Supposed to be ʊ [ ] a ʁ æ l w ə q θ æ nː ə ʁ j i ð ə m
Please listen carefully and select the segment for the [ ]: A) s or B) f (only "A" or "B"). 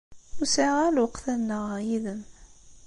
A